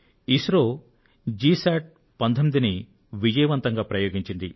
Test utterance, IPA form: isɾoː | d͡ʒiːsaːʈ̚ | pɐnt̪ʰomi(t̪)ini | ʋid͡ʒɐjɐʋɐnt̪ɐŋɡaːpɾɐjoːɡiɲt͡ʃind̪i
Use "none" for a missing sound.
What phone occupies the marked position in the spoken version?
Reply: d̪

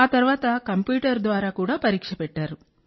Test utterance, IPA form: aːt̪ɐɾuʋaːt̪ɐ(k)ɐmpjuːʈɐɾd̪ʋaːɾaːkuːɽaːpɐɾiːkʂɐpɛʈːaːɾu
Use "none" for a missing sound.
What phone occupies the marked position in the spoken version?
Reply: k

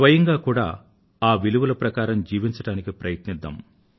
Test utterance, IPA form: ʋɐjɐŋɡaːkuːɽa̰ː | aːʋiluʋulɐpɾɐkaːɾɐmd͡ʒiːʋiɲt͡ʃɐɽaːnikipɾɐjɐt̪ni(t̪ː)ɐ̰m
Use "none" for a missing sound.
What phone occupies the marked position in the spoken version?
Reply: d̪ː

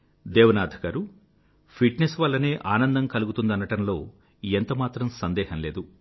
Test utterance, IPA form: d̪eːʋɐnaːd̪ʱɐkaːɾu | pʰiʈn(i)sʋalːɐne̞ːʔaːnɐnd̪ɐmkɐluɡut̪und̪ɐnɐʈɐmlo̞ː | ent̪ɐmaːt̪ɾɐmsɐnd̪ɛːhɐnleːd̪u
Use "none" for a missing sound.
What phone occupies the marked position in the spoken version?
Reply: e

